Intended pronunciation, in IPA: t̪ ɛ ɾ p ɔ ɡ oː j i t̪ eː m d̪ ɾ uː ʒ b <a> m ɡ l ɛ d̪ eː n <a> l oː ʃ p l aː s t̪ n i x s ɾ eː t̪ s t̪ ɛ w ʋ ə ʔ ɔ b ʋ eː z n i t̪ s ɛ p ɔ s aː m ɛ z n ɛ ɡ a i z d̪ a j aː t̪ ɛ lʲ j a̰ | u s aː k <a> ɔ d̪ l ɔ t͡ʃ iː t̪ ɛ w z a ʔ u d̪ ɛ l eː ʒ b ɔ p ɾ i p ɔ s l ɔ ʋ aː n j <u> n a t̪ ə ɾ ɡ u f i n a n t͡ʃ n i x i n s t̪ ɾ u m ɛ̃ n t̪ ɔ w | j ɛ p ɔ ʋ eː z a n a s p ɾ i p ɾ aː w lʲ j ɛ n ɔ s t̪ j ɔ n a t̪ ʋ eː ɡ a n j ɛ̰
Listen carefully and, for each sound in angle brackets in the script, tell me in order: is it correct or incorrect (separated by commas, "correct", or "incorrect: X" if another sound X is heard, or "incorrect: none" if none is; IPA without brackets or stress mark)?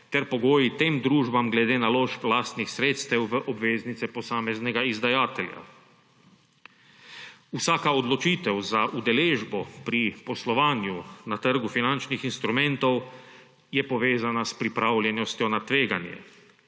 correct, correct, correct, correct